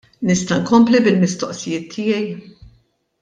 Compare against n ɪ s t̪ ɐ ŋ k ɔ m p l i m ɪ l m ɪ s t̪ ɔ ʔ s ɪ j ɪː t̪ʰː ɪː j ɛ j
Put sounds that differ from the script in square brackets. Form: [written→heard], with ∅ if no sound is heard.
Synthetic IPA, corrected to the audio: n ɪ s t̪ ɐ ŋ k ɔ m p l i [m→b] ɪ l m ɪ s t̪ ɔ ʔ s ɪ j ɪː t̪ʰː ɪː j ɛ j